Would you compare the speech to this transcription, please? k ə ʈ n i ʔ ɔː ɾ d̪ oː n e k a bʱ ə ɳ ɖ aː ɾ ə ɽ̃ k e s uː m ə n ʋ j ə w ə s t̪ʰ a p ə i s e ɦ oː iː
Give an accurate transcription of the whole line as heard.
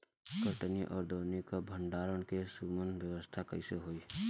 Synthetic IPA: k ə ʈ n i ʔ ɔː ɾ d̪ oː n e k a bʱ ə ɳ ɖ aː ɾ ə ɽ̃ k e s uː m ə n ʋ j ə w ə s t̪ʰ a k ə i s e ɦ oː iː

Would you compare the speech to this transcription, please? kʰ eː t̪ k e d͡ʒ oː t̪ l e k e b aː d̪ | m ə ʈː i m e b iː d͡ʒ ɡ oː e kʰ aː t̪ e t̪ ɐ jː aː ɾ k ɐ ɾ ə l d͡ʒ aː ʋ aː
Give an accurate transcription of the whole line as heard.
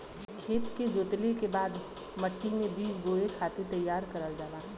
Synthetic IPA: kʰ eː t̪ k e d͡ʒ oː t̪ l e k e b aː d̪ | m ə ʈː i m ẽ b iː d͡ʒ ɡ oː e kʰ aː t̪ e t̪ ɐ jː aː ɾ k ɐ ɾ ə l d͡ʒ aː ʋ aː

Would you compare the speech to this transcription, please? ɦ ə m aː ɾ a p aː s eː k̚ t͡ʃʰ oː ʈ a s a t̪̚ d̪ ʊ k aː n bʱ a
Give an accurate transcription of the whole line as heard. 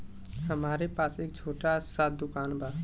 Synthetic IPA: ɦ ə m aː ɾ e p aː s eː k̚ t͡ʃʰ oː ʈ a s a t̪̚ d̪ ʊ k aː n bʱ a

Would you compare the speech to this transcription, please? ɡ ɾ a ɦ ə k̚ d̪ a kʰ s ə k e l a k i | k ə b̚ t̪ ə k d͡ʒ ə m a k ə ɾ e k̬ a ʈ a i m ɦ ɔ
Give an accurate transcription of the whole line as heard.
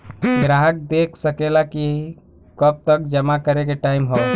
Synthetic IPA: ɡ ɾ a ɦ ə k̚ d̪ e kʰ s ə k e l a k i | k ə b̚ t̪ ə k d͡ʒ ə m a k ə ɾ e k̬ e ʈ a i m ɦ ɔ

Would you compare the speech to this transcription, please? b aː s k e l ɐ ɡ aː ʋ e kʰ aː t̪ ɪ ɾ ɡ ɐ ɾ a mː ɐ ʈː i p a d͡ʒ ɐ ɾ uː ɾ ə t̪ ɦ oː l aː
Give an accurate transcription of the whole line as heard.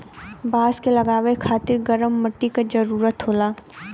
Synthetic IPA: b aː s k e l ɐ ɡ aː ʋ e kʰ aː t̪ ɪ ɾ ɡ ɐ ɾ ə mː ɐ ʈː i k a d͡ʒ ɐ ɾ uː ɾ ə t̪ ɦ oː l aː

